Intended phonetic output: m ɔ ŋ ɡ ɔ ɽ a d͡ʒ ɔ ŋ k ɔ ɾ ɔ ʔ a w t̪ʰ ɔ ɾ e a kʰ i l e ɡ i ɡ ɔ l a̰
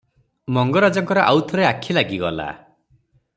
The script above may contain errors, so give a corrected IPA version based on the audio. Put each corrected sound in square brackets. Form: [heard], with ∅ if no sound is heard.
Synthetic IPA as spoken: m ɔ ŋ ɡ ɔ [ɾ] a d͡ʒ ɔ ŋ k ɔ ɾ ɔ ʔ a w t̪ʰ ɔ ɾ e a kʰ i l [a] ɡ i ɡ ɔ l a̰